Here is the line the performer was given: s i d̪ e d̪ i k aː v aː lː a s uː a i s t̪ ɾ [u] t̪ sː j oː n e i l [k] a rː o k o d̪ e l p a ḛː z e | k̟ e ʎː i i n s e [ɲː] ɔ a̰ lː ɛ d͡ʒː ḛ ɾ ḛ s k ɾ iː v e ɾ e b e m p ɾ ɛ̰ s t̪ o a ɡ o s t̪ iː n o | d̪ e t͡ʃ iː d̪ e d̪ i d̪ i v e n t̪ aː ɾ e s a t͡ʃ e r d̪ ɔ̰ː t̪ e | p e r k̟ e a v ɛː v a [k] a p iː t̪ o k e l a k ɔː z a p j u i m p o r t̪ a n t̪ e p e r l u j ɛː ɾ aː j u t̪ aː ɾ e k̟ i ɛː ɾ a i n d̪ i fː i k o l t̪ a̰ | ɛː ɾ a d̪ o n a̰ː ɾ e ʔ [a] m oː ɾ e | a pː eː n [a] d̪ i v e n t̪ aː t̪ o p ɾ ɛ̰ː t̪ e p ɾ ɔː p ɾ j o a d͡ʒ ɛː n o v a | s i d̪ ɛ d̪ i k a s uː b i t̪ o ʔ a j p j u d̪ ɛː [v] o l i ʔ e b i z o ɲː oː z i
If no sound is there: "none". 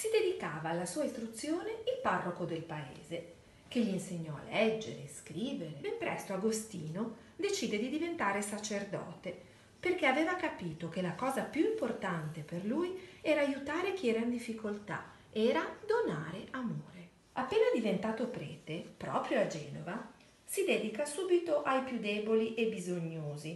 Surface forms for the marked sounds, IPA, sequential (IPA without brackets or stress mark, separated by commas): u, p, ɲː, k, a, a, b